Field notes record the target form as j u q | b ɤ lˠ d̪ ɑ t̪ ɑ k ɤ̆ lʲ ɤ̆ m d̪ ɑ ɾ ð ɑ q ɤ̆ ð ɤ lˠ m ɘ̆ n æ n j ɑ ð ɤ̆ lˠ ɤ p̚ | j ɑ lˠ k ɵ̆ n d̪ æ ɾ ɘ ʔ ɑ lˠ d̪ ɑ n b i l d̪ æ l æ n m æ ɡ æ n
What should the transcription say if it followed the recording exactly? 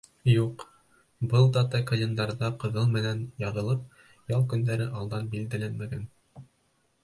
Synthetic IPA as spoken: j u q | b ɤ lˠ d̪ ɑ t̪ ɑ k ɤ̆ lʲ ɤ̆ n d̪ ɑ ɾ ð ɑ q ɤ̆ ð ɤ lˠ m ɘ̆ n æ n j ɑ ð ɤ̆ lˠ ɤ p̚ | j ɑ lˠ k ɵ̆ n d̪ æ ɾ ɘ ʔ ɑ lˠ d̪ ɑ n b i l d̪ æ l æ n m æ ɡ æ n